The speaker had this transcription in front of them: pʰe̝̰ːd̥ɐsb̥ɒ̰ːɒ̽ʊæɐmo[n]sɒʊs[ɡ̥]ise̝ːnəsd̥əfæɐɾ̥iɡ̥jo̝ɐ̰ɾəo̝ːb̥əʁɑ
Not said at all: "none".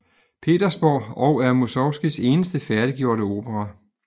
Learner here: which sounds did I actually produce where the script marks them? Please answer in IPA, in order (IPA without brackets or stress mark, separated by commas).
none, ɡ̥